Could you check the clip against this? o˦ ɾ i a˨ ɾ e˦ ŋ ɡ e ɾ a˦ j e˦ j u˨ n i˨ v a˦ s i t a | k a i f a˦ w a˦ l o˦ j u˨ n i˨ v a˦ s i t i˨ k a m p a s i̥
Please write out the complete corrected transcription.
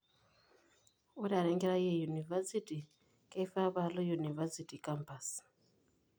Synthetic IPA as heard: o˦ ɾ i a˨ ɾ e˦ ŋ ɡ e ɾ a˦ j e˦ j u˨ n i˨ v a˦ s i t i | k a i f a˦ β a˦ l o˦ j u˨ n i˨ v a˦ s i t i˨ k a m p a s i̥